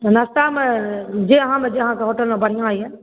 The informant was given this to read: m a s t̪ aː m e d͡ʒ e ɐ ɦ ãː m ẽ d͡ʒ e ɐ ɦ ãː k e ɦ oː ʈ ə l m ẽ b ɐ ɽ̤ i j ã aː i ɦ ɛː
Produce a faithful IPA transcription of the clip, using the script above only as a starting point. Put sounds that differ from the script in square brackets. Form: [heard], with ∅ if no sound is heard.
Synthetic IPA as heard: [n] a s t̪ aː m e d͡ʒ e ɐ ɦ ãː m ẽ d͡ʒ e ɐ ɦ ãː k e ɦ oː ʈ ə l m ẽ b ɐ ɽ̤ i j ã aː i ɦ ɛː

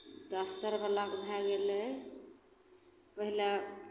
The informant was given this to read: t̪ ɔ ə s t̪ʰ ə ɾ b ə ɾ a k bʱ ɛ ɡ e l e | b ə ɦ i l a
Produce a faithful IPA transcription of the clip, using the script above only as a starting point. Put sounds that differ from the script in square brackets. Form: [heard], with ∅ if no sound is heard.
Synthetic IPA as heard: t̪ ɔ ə s [t̪] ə ɾ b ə [l] a k bʱ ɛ ɡ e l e | [p] ə ɦ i l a

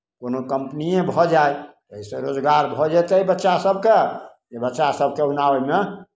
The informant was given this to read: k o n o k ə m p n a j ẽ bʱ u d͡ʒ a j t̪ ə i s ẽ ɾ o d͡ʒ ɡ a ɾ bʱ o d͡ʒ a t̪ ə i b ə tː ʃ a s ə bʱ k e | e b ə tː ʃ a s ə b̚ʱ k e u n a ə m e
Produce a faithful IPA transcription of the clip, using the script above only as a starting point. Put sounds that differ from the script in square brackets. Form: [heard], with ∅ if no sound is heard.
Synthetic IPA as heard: k o n o k ə m p n [i] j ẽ bʱ [ɔ] d͡ʒ a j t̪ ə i s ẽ ɾ o d͡ʒ ɡ a ɾ bʱ [ɔ] d͡ʒ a t̪ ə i b ə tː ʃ a s ə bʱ k e | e b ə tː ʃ a s ə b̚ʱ k e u n a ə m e

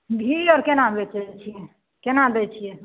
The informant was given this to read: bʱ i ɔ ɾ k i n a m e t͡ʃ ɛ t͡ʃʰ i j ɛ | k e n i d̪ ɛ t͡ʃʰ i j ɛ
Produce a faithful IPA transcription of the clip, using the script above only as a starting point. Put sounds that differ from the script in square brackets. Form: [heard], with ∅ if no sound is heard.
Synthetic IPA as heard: bʱ i ɔ ɾ k [e] n a [b] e t͡ʃ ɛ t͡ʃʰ i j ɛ | k e n [a] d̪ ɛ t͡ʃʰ i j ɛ

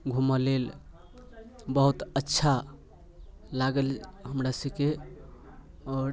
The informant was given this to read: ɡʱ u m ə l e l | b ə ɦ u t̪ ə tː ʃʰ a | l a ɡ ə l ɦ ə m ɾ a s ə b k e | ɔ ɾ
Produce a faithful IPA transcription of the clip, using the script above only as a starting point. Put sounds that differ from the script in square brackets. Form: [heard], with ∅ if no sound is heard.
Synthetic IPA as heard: ɡʱ u m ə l e l | b ə ɦ u t̪ ə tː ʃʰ a | l a ɡ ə l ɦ ə m ɾ a s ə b k e | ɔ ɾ

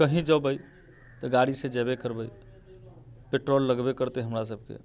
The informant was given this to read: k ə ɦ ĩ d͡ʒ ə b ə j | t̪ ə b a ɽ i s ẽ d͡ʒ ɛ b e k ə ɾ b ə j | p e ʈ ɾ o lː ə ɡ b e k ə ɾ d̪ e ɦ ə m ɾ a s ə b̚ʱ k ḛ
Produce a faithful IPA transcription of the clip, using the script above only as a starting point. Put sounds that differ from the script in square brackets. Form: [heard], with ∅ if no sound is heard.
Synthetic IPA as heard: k ə ɦ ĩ d͡ʒ ə b ə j | t̪ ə [ɡ] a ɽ i s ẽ d͡ʒ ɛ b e k ə ɾ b ə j | p e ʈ ɾ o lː ə ɡ b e k ə ɾ [t̪] e ɦ ə m ɾ a s ə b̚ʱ k ḛ

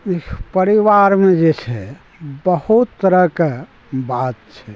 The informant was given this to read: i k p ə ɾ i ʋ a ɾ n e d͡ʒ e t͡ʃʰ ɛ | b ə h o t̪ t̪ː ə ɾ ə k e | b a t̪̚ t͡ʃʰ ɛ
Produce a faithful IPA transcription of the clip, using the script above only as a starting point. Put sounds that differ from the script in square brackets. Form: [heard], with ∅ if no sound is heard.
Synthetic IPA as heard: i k p ə ɾ i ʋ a ɾ [m] e d͡ʒ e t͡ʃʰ ɛ | b ə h [u] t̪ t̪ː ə ɾ ə k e | b a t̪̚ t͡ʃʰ ɛ

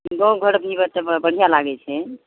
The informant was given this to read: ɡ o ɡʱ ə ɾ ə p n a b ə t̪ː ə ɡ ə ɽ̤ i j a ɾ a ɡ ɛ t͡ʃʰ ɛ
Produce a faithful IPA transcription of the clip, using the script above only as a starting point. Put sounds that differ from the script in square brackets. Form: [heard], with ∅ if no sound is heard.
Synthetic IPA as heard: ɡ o ɡʱ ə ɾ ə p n [i] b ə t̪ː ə [b] ə ɽ̤ i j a [l] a ɡ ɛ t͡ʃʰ ɛ

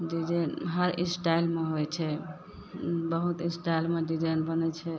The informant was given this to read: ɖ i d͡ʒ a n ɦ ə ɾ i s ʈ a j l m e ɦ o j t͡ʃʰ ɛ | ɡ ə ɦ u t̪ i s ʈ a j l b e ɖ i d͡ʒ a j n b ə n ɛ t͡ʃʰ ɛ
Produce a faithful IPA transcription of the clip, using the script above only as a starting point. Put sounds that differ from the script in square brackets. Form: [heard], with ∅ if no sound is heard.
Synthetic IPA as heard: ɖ i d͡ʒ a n ɦ ə ɾ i s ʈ a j l m e ɦ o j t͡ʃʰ ɛ | [b] ə ɦ u t̪ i s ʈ a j l [m] e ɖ i d͡ʒ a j n b ə n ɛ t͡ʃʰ ɛ

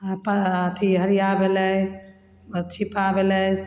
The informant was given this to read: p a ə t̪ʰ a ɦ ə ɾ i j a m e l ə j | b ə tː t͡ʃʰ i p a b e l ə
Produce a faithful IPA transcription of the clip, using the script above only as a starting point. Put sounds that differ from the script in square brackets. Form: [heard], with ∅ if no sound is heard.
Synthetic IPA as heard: p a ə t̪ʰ [i] ɦ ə ɾ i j a [b] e l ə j | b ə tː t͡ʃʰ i p a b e l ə

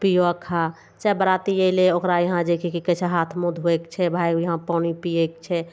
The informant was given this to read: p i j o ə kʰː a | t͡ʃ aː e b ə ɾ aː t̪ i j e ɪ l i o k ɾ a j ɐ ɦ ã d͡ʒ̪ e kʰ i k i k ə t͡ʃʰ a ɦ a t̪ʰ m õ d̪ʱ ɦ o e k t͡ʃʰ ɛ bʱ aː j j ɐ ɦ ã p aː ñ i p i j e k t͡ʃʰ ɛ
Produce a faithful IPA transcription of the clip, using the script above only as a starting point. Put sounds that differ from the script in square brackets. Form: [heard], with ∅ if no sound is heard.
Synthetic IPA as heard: p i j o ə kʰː a | t͡ʃ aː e b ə ɾ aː t̪ i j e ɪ l [e] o k ɾ a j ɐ ɦ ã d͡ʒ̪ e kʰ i k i k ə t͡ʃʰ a ɦ a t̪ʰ m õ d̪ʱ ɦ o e k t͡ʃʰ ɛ bʱ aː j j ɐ ɦ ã p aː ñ i p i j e k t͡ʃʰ ɛ

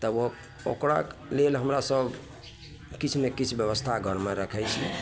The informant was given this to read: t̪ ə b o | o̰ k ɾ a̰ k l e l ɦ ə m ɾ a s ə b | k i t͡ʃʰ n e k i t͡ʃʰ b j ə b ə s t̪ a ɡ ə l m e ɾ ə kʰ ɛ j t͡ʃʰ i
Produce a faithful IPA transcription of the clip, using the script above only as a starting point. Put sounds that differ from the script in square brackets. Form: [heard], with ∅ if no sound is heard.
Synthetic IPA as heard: t̪ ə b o | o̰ k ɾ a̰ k l e l ɦ ə m ɾ a s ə b | k i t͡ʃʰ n e k i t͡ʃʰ b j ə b ə s [t̪ʰ] a ɡ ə [ɾ] m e ɾ ə kʰ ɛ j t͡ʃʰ i

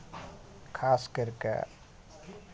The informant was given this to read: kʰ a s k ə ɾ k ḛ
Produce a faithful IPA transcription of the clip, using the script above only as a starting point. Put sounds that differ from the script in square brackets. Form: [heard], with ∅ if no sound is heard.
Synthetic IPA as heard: kʰ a s k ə ɾ k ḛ

